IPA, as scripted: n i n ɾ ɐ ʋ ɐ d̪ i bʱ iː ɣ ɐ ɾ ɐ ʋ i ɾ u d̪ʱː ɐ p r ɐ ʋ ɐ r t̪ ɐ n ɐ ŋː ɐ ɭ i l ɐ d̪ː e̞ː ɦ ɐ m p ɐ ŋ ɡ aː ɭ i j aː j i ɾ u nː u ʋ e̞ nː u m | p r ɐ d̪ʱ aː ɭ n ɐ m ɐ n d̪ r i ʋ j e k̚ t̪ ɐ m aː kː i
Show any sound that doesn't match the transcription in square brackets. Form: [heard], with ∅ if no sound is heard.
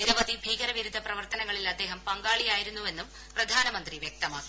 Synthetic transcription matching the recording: n i [∅] ɾ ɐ ʋ ɐ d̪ i bʱ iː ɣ ɐ ɾ ɐ ʋ i ɾ u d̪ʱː ɐ p r ɐ ʋ ɐ r t̪ ɐ n ɐ ŋː ɐ ɭ i l ɐ d̪ː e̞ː ɦ ɐ m p ɐ ŋ ɡ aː ɭ i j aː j i ɾ u nː u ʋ e̞ nː u m | p r ɐ d̪ʱ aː [∅] n ɐ m ɐ n d̪ r i ʋ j e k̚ t̪ ɐ m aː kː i